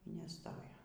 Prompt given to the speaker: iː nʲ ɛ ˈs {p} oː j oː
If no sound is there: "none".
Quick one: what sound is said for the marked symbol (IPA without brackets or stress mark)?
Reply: t